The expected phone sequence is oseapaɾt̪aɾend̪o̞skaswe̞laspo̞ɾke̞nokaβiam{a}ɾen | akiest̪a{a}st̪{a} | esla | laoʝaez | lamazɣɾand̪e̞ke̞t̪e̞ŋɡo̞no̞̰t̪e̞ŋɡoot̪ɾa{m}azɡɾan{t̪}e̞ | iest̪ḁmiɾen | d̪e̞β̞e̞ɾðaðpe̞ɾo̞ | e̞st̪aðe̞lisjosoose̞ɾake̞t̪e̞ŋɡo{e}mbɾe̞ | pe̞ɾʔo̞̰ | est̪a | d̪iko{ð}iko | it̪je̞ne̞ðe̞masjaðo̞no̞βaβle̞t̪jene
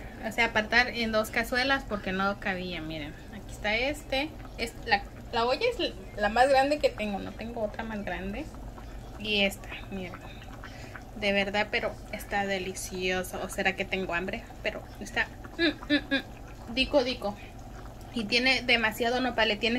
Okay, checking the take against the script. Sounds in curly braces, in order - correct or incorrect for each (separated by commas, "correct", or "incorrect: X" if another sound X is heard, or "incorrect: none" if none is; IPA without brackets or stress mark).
incorrect: i, incorrect: e, incorrect: e, correct, incorrect: d̪, incorrect: a, correct